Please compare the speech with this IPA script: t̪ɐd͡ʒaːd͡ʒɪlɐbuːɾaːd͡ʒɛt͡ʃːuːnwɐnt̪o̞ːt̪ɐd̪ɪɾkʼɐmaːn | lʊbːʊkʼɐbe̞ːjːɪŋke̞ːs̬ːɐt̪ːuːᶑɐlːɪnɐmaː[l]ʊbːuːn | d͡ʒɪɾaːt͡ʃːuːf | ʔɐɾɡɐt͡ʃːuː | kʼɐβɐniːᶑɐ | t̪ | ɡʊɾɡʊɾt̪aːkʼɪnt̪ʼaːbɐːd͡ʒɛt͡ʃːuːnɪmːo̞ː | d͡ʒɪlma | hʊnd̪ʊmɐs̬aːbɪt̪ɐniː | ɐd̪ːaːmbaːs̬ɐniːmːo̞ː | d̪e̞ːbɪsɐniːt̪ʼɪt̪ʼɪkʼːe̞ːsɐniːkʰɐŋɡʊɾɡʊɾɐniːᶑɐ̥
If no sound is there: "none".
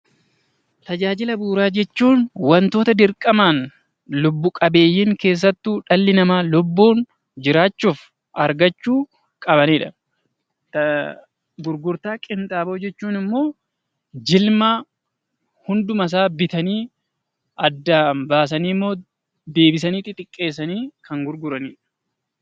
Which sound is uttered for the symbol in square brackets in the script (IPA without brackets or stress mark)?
l